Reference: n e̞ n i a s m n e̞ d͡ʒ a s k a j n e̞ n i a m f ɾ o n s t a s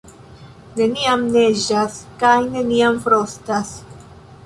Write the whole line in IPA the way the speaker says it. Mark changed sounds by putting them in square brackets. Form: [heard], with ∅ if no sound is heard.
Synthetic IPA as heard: n e̞ n i a [∅] m n e̞ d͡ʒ a s k a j n e̞ n i a m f ɾ o [∅] s t a s